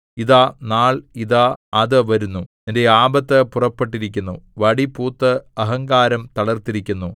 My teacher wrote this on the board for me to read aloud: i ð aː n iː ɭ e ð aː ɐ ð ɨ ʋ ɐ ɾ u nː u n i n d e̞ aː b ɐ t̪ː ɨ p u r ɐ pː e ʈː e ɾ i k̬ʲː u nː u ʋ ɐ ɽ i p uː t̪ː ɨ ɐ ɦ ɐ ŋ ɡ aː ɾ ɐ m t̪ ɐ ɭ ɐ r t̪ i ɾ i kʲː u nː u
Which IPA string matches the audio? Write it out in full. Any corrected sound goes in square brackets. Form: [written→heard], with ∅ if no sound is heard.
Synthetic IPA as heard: i ð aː n [iː→aː] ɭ [e→i] ð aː ɐ ð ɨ ʋ ɐ ɾ u nː u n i n d e̞ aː b ɐ t̪ː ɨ p u r ɐ pː e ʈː [e→i] ɾ i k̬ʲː u nː u ʋ ɐ ɽ i p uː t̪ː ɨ ɐ ɦ ɐ ŋ ɡ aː ɾ ɐ m t̪ ɐ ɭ ɐ r t̪ i ɾ i kʲː u nː u